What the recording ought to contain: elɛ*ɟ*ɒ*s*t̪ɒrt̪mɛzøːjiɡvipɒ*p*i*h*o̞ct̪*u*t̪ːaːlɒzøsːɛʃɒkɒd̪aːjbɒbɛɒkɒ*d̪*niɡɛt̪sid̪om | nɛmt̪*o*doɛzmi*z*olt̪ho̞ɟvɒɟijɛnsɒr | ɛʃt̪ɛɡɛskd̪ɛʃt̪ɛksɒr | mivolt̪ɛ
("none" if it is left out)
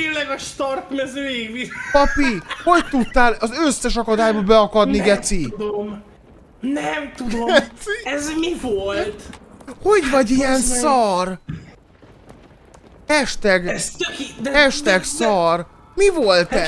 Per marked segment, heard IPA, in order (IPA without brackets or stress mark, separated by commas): ɡ, ʃ, p, h, u, d̪, u, v